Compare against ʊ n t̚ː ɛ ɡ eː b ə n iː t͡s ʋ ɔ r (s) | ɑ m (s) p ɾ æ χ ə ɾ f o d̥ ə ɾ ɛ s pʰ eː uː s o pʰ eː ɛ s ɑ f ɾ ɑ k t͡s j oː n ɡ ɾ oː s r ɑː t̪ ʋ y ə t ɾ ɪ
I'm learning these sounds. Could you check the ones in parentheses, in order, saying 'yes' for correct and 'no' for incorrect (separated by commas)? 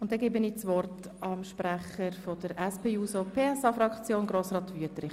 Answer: no, no